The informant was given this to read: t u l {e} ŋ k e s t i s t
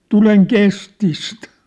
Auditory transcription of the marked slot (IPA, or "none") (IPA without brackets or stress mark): e